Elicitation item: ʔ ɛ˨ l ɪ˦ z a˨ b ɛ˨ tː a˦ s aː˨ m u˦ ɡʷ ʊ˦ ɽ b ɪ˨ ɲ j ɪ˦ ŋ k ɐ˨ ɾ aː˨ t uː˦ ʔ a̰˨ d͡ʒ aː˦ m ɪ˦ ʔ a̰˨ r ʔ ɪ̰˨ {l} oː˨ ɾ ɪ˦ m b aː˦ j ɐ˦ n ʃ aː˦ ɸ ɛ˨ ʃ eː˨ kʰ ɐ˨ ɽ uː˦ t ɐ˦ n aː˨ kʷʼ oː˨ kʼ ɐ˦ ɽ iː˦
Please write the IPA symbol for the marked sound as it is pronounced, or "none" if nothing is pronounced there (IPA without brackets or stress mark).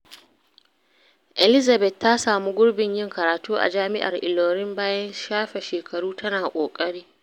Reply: l